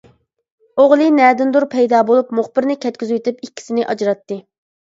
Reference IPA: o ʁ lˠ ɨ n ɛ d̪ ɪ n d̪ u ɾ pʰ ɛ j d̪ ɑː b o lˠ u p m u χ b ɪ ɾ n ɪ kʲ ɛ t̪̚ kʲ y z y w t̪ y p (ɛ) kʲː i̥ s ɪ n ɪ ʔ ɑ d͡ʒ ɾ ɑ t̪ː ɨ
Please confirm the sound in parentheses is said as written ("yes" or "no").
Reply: no